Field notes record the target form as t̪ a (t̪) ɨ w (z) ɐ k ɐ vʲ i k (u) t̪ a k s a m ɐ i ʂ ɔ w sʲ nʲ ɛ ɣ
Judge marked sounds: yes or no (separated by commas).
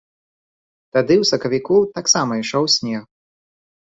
no, no, yes